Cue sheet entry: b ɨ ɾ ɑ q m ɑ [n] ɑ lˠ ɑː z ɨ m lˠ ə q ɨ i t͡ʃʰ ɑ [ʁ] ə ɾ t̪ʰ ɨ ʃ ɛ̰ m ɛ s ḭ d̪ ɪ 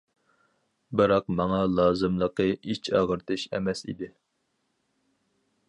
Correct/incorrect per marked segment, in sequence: incorrect: ŋ, correct

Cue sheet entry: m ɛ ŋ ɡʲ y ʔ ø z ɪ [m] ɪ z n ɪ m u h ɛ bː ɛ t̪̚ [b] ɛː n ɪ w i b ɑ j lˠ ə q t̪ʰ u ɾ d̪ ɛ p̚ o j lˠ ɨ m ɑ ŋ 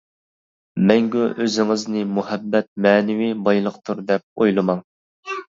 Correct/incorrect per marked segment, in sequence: incorrect: ŋ, incorrect: m

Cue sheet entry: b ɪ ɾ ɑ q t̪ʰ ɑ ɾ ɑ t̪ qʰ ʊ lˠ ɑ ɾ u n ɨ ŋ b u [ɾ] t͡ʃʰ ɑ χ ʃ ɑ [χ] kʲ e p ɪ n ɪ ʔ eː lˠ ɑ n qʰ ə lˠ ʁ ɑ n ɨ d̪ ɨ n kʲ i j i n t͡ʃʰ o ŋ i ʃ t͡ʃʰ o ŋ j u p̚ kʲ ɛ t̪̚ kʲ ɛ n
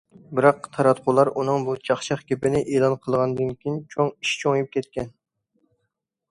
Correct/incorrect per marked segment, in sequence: incorrect: none, correct

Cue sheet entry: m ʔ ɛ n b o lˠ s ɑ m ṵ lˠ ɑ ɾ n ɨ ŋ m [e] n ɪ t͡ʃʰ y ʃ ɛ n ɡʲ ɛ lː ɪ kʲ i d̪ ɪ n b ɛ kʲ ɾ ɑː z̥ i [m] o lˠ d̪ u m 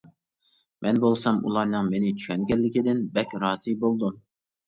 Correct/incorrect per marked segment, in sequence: correct, incorrect: b

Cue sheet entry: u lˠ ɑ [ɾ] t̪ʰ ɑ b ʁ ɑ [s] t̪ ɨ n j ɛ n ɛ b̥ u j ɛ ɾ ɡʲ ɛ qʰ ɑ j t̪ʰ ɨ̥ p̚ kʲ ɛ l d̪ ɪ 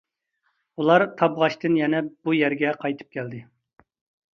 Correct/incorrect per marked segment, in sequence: correct, incorrect: ʃ

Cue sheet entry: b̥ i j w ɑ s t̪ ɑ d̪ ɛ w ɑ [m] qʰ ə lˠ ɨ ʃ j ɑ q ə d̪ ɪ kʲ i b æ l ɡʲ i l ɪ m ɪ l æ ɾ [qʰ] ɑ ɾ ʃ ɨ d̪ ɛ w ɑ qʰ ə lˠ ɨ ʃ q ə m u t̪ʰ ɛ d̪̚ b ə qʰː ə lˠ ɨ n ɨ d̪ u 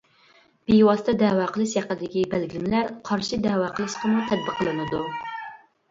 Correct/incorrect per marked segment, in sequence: incorrect: none, correct

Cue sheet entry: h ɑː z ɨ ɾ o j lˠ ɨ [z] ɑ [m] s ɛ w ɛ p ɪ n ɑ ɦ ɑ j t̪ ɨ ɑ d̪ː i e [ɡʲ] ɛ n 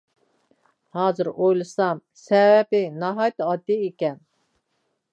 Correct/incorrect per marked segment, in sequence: incorrect: s, correct, incorrect: kʲ

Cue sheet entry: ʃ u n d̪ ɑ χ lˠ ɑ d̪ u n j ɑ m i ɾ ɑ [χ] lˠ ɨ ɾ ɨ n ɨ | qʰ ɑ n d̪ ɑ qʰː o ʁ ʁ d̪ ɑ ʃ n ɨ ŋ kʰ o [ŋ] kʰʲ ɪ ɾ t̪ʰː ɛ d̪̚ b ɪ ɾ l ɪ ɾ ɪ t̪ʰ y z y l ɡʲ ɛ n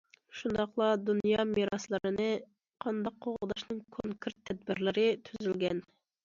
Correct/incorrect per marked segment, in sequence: incorrect: s, correct

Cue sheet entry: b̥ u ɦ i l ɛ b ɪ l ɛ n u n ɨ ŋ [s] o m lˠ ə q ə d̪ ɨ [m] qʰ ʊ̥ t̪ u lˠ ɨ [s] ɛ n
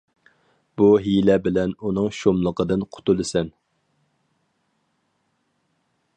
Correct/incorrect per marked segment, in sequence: incorrect: ʃ, incorrect: n, correct

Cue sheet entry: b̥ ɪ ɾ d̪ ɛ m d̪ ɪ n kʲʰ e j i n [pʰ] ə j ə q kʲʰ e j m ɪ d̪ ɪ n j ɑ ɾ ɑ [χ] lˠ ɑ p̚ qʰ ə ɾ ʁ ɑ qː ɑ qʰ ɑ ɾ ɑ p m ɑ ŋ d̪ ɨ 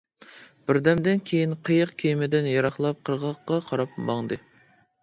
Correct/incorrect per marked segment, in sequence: incorrect: qʰ, correct

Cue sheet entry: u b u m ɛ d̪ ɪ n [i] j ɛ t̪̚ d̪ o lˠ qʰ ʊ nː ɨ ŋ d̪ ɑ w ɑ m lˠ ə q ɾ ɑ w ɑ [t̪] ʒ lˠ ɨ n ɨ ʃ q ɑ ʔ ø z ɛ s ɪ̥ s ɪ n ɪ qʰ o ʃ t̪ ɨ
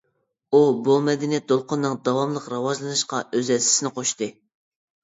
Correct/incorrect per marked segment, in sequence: correct, incorrect: none

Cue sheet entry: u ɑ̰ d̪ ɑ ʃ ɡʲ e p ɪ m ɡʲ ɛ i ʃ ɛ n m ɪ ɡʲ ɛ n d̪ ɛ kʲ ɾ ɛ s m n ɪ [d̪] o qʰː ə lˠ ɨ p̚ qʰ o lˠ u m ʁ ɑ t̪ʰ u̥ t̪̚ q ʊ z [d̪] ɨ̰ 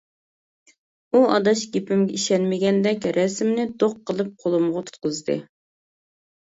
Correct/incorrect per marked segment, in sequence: correct, correct

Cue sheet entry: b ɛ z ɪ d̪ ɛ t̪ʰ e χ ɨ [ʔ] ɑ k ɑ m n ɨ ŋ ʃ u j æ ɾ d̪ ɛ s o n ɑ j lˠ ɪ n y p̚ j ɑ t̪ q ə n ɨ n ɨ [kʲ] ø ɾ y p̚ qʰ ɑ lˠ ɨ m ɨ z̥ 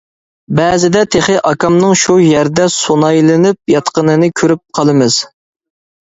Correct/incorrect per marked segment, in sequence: correct, incorrect: kʲʰ

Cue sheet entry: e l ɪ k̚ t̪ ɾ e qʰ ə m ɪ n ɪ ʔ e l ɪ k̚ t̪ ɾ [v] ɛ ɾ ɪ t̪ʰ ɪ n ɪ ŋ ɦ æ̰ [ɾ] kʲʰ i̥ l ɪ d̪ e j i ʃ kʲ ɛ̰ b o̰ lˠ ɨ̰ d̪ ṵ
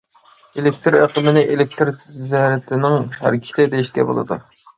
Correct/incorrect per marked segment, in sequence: incorrect: z, correct

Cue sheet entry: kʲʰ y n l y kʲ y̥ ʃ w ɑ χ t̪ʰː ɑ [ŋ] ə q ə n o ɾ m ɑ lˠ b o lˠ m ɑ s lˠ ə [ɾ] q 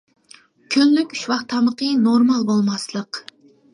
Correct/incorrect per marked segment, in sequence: incorrect: m, incorrect: none

